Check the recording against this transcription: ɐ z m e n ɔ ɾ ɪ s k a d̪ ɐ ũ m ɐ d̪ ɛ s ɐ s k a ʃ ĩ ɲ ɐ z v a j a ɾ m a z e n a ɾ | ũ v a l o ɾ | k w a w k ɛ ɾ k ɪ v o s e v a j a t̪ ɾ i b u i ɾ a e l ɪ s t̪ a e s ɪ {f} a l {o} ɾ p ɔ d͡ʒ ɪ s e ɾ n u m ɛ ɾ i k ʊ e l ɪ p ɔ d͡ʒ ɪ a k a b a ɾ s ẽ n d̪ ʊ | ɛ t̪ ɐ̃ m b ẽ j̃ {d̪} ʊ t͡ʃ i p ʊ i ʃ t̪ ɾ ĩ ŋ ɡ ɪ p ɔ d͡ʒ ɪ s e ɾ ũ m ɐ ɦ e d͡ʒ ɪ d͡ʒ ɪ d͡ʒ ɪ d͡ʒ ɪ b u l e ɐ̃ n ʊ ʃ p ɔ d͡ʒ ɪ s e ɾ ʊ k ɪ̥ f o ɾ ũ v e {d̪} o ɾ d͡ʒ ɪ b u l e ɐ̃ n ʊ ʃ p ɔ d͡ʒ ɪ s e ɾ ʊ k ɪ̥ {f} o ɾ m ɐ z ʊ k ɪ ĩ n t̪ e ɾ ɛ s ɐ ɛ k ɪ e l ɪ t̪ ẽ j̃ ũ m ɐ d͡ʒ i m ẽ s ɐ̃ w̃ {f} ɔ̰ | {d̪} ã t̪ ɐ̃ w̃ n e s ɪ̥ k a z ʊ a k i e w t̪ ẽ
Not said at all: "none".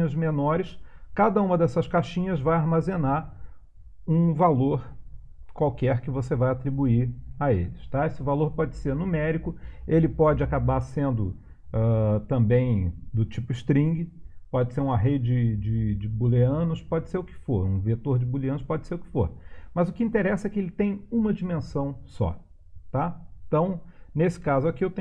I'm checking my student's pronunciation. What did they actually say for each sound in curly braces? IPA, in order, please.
v, o, d̪, t̪, f, s, t̪

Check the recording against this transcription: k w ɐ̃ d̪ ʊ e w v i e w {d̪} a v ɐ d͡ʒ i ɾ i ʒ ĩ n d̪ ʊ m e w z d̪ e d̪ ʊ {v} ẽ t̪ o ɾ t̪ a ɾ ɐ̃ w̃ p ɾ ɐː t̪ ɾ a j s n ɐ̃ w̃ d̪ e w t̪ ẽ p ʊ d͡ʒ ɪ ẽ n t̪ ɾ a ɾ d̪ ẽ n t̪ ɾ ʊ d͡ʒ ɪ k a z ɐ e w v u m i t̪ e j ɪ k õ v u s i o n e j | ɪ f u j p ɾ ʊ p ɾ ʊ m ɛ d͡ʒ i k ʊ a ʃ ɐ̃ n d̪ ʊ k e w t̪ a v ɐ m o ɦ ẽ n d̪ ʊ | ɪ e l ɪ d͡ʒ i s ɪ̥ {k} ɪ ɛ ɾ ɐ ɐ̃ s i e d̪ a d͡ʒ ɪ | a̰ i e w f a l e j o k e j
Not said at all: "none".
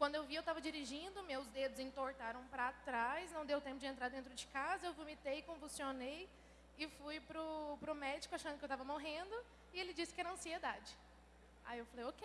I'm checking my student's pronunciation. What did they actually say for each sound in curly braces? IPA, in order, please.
t̪, z, k

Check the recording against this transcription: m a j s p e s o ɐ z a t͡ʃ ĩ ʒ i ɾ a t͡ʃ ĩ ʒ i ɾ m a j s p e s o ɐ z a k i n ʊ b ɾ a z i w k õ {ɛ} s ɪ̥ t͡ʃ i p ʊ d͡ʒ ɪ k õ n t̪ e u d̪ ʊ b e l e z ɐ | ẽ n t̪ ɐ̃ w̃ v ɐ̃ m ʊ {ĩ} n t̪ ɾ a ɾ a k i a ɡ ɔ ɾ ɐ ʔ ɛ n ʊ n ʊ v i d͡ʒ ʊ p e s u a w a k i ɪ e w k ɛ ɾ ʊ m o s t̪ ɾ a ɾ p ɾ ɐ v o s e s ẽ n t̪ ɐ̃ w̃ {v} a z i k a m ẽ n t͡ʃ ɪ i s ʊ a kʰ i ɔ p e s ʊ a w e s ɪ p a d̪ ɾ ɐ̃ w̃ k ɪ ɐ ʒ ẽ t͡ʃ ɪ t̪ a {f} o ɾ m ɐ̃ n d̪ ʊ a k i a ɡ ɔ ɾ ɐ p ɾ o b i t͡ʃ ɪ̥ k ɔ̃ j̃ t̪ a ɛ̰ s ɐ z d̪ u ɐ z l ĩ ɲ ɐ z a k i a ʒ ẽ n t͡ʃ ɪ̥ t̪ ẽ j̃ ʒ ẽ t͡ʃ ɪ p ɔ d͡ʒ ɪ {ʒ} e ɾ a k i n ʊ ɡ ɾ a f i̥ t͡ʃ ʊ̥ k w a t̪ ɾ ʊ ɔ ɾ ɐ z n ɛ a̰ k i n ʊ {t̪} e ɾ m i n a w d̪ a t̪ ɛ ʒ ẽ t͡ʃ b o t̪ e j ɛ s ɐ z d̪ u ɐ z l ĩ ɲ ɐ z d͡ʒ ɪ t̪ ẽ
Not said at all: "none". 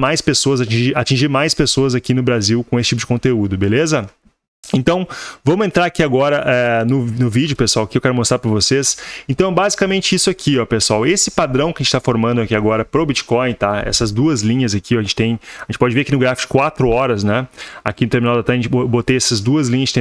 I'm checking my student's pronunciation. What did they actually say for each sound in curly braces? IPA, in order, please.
e, ẽ, b, f, v, t̪

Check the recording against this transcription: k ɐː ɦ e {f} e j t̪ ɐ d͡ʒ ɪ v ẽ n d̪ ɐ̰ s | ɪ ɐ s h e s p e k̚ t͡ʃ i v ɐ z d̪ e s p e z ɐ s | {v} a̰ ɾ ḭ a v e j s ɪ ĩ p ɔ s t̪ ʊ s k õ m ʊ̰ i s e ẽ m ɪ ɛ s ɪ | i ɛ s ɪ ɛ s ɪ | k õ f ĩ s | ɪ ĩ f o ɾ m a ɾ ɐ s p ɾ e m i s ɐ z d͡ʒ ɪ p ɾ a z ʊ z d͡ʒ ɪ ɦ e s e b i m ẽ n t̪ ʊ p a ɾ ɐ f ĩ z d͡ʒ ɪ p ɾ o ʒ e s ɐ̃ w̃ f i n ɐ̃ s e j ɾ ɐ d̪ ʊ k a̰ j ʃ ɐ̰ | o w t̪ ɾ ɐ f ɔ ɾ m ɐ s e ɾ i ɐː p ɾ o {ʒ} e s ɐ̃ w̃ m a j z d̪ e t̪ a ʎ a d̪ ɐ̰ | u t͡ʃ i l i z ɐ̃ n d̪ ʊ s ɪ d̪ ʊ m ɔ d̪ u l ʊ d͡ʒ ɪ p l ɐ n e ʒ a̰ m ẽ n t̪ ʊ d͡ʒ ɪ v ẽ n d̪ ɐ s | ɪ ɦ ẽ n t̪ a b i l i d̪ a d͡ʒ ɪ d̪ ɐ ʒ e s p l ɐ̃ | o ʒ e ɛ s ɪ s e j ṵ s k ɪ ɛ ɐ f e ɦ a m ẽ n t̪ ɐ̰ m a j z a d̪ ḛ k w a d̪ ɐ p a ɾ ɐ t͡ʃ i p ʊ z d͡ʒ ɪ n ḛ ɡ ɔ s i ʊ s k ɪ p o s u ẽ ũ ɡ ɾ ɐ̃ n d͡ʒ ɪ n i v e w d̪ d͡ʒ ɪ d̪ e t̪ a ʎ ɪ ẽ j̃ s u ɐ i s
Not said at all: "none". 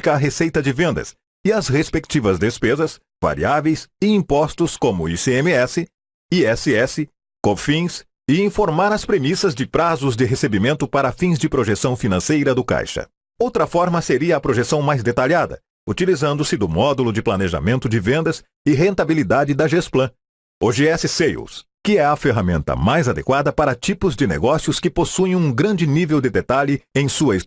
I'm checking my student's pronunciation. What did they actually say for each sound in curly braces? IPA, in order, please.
s, v, ʒ

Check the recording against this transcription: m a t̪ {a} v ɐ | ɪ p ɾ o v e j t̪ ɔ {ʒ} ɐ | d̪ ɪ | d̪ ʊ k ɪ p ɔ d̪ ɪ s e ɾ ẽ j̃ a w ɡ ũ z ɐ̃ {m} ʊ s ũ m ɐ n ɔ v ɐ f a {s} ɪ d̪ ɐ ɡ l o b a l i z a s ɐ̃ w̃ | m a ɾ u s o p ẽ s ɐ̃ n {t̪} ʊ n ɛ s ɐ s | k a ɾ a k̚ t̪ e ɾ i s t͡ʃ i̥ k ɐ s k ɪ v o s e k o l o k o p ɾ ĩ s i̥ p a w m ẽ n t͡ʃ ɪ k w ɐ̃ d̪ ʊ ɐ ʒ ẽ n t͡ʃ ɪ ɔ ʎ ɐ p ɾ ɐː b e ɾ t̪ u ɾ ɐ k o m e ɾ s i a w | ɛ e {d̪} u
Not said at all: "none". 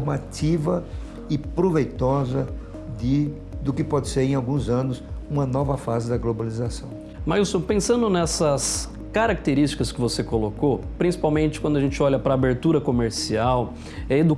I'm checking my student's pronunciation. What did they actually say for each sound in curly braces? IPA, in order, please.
i, z, n, z, d̪, d̪

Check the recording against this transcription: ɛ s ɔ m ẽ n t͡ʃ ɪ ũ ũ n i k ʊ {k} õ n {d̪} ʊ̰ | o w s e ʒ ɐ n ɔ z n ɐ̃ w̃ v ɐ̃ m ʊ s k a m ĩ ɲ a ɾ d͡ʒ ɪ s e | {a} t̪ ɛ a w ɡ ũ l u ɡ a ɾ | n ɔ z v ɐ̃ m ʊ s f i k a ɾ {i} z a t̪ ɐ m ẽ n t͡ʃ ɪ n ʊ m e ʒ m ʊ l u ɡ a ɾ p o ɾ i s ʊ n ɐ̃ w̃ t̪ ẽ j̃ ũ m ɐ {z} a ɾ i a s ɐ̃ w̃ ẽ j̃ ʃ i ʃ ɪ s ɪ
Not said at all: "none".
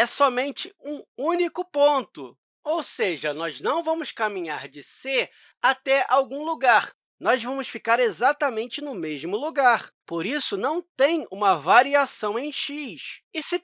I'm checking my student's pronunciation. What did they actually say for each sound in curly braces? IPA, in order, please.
p, t̪, a, e, v

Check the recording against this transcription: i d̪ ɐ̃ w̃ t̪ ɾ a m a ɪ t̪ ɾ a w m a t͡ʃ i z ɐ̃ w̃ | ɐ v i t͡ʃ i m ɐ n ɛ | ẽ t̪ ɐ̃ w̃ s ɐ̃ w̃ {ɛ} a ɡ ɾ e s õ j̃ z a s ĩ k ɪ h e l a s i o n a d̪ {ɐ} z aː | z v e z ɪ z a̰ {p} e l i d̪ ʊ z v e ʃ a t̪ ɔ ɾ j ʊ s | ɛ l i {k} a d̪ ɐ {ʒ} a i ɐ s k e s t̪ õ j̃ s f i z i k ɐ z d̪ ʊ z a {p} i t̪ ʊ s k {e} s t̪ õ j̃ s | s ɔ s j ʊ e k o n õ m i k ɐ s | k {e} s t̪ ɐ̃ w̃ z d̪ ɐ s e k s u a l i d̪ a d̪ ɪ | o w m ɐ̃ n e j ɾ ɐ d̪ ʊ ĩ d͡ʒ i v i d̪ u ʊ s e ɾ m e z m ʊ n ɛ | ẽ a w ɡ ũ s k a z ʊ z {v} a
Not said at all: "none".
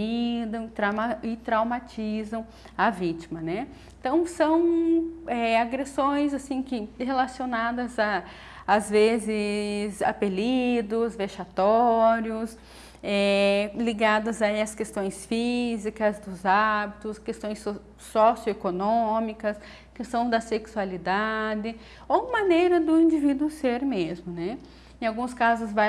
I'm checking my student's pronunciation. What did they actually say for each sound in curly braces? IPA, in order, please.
ɛ, ɐ, p, ɡ, z, b, e, e, v

